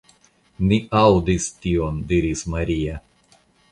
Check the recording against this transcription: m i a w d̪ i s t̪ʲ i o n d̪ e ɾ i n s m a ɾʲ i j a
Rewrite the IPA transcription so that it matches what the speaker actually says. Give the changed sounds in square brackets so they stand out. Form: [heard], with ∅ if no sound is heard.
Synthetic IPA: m i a w d̪ i s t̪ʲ i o n d̪ [i] ɾ i [∅] s m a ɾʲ i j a